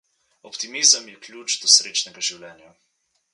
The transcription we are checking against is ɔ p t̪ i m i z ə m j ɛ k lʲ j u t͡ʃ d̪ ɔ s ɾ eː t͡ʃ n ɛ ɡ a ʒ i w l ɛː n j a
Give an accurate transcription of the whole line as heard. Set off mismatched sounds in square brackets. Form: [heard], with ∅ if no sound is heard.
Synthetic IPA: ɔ p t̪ i m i z ə m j ɛ k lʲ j u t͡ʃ d̪ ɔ s ɾ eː t͡ʃ n ɛ ɡ a ʒ i w l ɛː n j a